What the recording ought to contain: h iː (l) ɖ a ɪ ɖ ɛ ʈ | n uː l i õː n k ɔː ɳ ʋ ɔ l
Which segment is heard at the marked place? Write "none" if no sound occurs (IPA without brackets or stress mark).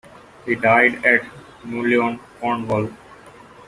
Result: none